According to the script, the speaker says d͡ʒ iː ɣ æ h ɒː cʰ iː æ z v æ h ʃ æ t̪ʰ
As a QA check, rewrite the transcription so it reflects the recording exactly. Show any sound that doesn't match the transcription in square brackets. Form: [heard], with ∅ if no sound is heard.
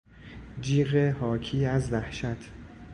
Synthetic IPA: d͡ʒ iː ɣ [e] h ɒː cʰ iː æ z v æ h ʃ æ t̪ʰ